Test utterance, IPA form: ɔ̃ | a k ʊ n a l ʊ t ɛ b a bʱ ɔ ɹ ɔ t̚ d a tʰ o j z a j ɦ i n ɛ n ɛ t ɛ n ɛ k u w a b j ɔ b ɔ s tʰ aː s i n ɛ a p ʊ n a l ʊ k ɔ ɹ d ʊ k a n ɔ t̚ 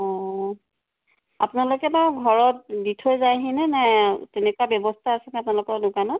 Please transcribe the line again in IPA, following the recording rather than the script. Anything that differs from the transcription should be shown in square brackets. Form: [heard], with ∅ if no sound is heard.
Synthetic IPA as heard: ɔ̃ | a [p] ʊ n a l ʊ [k] ɛ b a [ɡʱ] ɔ ɹ ɔ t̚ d [i] tʰ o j z a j ɦ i n ɛ n ɛ t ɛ n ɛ k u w a b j ɔ b ɔ s tʰ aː s [ɛ] n ɛ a p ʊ n a l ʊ k ɔ ɹ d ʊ k a n ɔ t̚